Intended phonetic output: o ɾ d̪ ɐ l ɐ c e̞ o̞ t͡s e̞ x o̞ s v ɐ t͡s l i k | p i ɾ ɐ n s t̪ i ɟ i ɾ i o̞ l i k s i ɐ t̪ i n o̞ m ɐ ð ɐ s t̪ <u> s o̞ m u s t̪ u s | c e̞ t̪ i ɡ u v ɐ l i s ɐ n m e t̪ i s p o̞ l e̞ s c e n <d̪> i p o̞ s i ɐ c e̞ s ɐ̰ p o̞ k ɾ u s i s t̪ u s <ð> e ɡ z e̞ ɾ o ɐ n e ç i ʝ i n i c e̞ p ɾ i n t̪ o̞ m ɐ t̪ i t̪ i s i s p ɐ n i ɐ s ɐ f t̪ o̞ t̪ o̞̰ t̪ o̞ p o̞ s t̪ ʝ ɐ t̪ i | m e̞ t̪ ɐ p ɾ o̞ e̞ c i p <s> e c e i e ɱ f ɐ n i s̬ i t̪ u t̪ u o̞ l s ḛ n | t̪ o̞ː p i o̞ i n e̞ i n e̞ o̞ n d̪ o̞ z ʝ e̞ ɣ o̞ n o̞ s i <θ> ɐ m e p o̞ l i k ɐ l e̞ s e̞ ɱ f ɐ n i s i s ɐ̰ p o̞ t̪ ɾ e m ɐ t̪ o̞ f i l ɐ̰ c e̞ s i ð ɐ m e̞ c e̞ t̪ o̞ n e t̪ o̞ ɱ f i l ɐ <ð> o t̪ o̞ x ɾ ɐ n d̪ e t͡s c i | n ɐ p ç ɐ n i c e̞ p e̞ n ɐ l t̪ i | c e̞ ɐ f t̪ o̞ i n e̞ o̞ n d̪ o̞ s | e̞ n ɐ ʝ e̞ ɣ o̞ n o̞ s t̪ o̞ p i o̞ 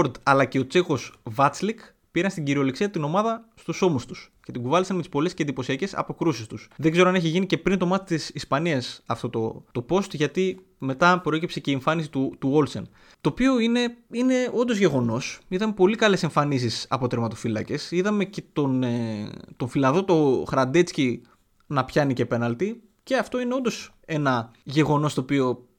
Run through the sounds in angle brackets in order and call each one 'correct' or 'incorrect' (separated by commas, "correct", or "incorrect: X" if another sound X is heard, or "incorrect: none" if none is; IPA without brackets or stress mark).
correct, correct, correct, correct, incorrect: ð, correct